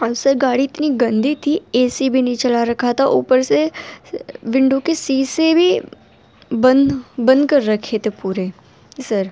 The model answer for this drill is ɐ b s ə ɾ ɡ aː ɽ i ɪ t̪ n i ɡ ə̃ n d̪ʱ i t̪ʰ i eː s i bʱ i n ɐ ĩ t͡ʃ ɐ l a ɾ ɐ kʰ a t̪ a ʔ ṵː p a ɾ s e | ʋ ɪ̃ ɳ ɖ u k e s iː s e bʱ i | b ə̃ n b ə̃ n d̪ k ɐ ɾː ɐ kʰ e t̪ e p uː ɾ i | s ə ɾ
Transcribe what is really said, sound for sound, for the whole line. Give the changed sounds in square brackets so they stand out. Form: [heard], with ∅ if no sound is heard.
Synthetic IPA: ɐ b s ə ɾ ɡ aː ɽ i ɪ t̪ n i ɡ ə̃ n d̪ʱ i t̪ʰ i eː s i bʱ i n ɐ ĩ t͡ʃ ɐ l a ɾ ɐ kʰ a t̪ a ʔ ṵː p [ə] ɾ s e | ʋ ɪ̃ ɳ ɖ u k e s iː s e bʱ i | b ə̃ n b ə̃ n d̪ k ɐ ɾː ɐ kʰ e t̪ e p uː ɾ [e] | s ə ɾ